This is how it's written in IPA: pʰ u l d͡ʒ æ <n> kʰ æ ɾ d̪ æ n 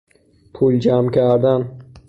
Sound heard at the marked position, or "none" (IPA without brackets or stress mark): m